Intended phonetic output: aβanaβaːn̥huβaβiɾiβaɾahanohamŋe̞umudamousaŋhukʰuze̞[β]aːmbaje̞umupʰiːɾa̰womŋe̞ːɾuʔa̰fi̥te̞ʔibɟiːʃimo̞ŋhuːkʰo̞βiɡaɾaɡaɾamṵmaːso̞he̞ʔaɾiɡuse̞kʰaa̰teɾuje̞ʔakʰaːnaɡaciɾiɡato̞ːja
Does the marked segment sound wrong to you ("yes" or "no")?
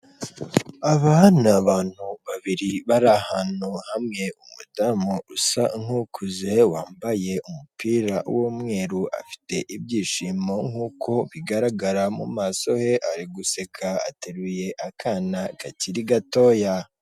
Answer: yes